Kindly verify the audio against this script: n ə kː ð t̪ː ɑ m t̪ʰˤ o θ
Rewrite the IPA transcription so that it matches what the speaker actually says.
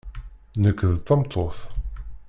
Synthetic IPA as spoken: n ə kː ð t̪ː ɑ m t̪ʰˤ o θ